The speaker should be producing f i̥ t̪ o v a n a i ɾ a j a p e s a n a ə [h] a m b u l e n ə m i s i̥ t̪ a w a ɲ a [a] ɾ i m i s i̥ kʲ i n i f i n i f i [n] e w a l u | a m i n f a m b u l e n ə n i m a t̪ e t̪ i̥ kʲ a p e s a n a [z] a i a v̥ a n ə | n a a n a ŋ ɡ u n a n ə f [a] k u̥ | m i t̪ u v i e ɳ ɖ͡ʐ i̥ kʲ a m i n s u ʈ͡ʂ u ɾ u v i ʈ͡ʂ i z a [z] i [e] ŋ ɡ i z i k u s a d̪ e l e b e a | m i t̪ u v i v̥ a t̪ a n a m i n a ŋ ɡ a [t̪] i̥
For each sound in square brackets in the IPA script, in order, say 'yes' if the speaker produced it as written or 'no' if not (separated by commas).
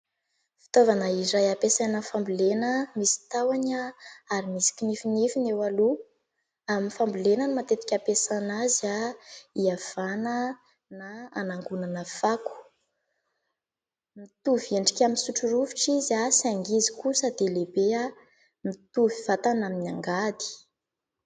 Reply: no, yes, yes, yes, yes, no, no, no